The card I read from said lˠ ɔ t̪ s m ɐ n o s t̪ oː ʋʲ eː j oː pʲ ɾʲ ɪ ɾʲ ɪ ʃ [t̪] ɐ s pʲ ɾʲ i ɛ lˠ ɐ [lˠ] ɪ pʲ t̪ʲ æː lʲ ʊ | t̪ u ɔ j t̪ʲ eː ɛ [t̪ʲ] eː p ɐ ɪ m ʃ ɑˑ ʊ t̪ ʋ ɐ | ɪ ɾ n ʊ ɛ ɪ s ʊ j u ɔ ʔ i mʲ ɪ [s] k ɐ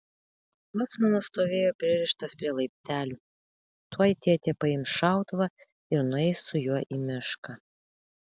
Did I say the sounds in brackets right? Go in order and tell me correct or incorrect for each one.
correct, incorrect: none, correct, incorrect: ʃ

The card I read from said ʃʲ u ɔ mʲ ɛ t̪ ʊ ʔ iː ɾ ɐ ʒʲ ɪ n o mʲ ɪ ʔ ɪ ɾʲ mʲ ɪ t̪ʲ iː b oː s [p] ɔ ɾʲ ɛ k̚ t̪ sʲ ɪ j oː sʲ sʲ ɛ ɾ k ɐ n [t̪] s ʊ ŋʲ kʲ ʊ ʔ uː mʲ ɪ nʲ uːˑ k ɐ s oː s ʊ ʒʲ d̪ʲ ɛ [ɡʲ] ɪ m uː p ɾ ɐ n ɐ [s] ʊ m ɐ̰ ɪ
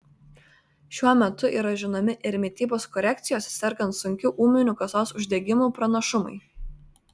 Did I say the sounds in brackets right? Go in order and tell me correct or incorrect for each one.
incorrect: k, correct, correct, incorrect: ʃ

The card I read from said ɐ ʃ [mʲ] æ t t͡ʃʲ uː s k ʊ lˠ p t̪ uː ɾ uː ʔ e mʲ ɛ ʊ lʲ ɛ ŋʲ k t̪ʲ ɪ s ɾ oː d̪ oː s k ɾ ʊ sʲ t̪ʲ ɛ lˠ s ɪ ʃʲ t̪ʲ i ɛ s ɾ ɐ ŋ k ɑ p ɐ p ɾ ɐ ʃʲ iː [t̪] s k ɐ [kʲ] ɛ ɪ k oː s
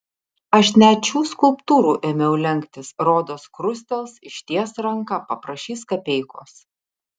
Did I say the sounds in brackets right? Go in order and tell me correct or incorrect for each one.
incorrect: nʲ, incorrect: none, incorrect: pʲ

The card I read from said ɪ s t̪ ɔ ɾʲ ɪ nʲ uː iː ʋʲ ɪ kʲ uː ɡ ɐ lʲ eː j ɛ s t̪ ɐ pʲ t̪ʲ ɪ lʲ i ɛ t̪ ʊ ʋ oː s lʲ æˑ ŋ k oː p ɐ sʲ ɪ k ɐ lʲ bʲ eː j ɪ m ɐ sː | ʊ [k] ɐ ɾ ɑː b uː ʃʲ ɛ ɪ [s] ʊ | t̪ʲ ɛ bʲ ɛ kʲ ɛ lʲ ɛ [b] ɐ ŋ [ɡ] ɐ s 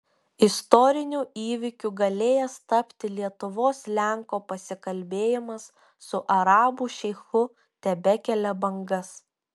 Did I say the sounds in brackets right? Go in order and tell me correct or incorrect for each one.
incorrect: ʔ, incorrect: x, correct, correct

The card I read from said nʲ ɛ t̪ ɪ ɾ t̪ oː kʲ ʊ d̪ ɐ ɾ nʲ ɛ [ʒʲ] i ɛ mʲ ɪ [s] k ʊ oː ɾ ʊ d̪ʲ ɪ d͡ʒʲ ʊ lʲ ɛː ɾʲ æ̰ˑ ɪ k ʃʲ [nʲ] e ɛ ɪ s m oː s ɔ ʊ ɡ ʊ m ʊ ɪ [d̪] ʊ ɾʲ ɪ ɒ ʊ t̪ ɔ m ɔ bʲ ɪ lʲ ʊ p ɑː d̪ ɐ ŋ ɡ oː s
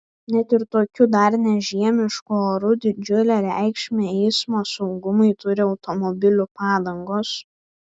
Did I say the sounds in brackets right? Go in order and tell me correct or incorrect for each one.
correct, incorrect: ʃ, incorrect: mʲ, incorrect: t̪

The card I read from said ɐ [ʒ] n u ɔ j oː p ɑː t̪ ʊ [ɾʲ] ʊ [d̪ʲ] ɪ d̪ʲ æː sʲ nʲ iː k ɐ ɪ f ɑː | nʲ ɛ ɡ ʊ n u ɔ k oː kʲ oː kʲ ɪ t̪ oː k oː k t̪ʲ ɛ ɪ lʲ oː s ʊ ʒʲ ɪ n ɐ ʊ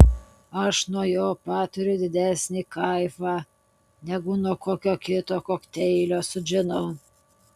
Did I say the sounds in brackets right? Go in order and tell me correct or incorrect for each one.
incorrect: ʃ, correct, correct

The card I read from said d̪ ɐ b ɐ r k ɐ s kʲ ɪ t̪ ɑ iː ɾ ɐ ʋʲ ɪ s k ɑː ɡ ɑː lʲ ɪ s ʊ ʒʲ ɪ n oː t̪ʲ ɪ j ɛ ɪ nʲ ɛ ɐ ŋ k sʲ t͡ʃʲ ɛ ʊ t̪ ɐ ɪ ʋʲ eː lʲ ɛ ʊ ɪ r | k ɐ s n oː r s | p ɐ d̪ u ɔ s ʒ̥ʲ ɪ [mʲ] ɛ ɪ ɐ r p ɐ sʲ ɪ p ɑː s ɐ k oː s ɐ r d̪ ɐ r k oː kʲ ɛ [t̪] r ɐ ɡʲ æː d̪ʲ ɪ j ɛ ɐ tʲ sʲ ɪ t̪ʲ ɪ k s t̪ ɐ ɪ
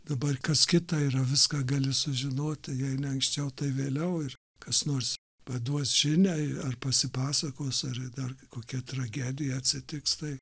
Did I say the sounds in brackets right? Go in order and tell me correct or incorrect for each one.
incorrect: nʲ, correct

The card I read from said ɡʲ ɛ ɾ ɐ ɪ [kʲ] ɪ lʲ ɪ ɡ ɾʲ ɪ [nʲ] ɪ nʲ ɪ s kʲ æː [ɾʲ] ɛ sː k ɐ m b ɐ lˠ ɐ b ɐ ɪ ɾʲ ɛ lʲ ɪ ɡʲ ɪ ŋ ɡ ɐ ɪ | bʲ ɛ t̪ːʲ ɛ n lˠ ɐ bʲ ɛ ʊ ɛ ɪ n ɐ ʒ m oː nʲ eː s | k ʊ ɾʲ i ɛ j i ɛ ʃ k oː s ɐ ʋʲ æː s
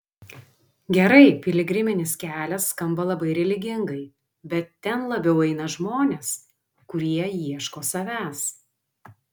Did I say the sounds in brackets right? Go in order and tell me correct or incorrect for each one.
incorrect: pʲ, incorrect: mʲ, incorrect: lʲ

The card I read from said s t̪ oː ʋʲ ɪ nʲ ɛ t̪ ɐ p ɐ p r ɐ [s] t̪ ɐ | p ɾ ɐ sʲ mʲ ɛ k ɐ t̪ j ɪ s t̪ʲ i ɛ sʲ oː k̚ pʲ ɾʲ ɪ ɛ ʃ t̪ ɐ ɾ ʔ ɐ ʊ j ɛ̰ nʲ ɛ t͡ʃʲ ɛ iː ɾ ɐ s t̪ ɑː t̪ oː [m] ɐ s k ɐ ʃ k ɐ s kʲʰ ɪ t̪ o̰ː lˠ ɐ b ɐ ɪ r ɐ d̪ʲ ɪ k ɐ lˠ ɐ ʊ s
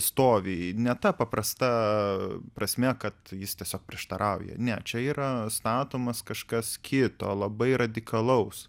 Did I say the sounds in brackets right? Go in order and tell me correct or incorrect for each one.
correct, correct

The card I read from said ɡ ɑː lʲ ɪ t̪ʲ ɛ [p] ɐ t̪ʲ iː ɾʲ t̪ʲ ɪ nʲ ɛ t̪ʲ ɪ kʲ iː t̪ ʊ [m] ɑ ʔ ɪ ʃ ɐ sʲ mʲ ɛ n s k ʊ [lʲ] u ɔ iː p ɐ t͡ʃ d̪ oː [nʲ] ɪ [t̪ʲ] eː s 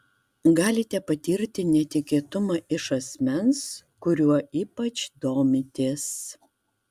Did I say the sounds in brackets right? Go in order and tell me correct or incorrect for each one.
correct, correct, incorrect: ɾʲ, incorrect: mʲ, correct

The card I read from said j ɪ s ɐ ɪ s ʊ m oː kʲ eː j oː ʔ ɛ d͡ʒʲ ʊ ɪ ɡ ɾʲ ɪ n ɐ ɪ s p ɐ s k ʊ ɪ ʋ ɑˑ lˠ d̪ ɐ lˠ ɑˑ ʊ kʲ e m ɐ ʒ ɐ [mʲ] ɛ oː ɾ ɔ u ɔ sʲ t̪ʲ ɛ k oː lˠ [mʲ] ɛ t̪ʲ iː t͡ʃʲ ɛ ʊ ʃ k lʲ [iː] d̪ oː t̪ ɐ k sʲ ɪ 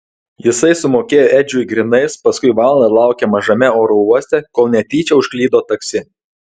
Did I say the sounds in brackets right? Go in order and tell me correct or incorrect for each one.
correct, incorrect: nʲ, correct

